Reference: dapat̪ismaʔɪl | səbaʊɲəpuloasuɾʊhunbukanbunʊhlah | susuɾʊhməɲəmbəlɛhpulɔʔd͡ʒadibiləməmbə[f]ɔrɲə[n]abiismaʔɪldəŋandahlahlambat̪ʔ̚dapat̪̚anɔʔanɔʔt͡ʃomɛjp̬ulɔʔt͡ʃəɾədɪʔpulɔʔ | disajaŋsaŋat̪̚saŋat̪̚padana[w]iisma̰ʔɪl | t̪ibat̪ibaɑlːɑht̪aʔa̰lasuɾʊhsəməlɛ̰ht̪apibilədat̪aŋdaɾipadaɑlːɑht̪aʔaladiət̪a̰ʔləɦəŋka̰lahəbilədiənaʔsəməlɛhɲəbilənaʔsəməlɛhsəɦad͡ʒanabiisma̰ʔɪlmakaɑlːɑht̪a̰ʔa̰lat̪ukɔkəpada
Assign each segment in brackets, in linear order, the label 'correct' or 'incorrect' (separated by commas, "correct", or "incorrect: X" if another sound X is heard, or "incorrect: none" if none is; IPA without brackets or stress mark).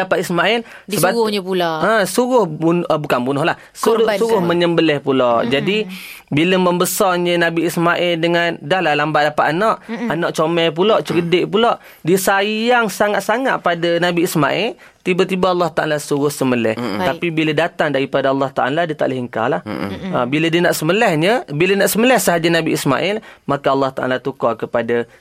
incorrect: s, correct, incorrect: b